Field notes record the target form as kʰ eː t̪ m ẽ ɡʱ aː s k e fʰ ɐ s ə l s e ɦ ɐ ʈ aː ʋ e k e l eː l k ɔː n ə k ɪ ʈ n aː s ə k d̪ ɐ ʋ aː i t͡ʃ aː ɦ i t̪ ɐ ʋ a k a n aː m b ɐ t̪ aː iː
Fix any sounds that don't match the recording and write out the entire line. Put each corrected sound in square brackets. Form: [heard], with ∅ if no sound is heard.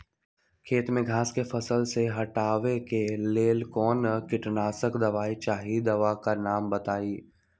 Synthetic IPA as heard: kʰ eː t̪ m ẽ ɡʱ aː s k e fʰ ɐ s ə l s e ɦ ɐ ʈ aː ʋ e k e l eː l k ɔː n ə k ɪ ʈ n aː s ə k d̪ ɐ ʋ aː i t͡ʃ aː ɦ i [d̪] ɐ ʋ a k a n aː m b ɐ t̪ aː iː